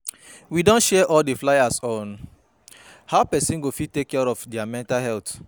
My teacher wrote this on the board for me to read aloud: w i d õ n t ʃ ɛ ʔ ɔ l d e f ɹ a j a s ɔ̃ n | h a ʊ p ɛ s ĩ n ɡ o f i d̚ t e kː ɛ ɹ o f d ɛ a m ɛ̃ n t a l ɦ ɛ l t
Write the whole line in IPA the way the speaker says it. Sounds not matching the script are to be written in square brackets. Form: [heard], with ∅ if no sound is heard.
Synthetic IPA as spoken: w i d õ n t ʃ ɛ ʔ ɔ l d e f [l] a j a s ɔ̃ n | h a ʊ p ɛ s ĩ n ɡ o f i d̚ t e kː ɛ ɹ [ɔ] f d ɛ a m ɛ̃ n t a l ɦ ɛ l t

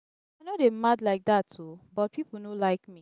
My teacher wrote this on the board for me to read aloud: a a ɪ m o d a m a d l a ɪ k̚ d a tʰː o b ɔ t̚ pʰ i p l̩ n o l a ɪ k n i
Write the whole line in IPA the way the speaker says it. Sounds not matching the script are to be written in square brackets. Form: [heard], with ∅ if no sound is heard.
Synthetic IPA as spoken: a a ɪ [n] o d [e] m a d l a ɪ k̚ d a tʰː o b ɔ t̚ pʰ i p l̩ n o l a ɪ k [m] i

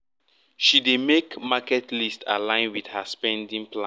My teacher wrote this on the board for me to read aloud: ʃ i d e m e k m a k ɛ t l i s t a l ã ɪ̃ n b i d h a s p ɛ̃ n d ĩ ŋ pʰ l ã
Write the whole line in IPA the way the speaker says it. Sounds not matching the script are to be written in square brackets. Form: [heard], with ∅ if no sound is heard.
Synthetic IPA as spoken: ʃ i d e m e k m a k ɛ t l i s t a l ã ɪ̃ n [w] i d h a s p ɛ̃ n d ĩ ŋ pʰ l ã

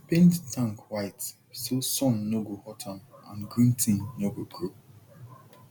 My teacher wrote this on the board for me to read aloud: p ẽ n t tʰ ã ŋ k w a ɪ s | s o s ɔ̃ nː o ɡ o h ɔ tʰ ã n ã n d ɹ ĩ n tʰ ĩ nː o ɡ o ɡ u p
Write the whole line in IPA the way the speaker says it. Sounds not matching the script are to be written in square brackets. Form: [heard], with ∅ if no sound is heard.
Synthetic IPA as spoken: p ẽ n t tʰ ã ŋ k w a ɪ [t] | s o s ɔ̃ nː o ɡ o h ɔ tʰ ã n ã n [ɡ] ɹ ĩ n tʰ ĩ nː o ɡ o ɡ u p

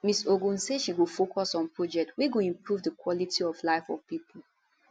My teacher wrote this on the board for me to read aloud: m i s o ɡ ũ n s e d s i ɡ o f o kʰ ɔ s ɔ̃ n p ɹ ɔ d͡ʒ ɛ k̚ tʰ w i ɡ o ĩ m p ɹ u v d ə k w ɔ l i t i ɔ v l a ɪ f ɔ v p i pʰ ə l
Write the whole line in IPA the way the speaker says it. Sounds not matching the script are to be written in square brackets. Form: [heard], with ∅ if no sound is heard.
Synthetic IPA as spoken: m i s o ɡ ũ n s e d [ʃ] i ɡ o f o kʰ ɔ s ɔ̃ n p ɹ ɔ d͡ʒ ɛ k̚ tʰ w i ɡ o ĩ m p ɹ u v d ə k w ɔ l i t i ɔ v l a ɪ f ɔ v p i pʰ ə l

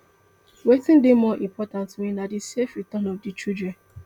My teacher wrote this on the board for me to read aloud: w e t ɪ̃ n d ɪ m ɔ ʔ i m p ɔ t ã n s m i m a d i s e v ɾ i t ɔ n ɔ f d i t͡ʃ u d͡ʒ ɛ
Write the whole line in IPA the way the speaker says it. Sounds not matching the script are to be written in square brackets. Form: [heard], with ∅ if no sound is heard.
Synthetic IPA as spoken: w e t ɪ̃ n d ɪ m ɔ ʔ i m p ɔ t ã n [t] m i [n] a d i s e [f] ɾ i t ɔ n ɔ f d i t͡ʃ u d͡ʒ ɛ

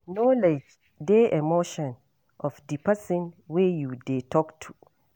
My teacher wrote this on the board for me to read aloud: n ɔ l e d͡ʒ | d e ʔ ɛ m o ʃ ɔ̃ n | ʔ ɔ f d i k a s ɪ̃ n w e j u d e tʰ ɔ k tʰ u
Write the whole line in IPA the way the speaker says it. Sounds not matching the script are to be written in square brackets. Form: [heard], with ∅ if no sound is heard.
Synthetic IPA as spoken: n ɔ l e d͡ʒ | d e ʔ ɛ m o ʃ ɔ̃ n | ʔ ɔ f d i [p] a s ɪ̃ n w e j u d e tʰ ɔ k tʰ u

